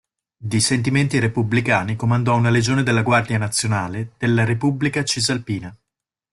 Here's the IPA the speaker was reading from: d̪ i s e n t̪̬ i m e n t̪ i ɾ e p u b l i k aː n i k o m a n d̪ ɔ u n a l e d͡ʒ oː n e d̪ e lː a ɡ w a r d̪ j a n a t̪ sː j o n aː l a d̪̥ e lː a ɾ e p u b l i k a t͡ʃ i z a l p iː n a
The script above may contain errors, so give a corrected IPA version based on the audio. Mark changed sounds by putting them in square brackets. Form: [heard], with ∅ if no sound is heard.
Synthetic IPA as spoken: d̪ i s e n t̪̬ i m e n t̪ i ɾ e p u b l i k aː n i k o m a n d̪ ɔ u n a l e d͡ʒ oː n e d̪ e lː a ɡ w a r d̪ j a n a t̪ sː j o n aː l [e] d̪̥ e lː a ɾ e p u b l i k a t͡ʃ i z a l p iː n a